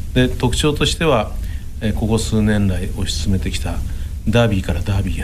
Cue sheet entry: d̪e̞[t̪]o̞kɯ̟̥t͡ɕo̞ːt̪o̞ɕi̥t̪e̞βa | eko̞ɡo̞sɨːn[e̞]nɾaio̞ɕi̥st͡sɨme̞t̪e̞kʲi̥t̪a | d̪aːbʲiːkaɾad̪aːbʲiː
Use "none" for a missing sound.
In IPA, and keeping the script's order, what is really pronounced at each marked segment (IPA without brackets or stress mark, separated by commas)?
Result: t̪, ẽ̞